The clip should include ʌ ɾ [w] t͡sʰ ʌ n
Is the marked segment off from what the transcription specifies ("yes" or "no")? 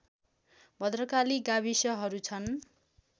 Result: yes